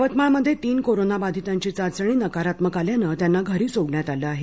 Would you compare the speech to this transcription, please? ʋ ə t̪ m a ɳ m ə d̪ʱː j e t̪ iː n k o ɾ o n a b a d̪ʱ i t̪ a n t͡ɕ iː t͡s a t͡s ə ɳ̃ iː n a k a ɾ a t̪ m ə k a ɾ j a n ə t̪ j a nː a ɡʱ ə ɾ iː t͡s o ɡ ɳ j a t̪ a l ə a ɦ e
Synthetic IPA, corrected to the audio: ʋ ə t̪ m a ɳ m ə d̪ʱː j e t̪ iː n k o ɾ o n a b a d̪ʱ i t̪ a ɲ t͡ɕ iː t͡s a t͡s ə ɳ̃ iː n ə k a ɾ a t̪ m ə k a l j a n ə t̪ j a nː a ɡʱ ə ɾ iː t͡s o ɡ ɳ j a t̪ a l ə a ɦ e